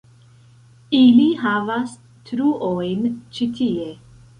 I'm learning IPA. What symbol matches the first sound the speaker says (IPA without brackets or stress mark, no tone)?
i